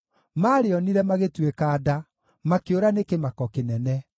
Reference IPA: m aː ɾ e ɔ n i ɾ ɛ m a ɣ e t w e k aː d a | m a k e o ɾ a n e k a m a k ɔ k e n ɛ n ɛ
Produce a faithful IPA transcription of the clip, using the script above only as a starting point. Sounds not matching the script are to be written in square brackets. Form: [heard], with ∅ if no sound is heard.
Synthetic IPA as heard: m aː ɾ e ɔ n i ɾ ɛ m a ɣ e t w e k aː d a | m a k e o ɾ a n e k [e] m a k ɔ k e n ɛ n ɛ